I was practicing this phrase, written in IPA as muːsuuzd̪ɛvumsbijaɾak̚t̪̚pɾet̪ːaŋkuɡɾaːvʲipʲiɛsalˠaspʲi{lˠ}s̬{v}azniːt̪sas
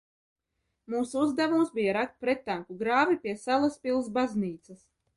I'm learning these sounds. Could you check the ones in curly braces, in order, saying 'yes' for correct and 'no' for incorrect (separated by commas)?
yes, no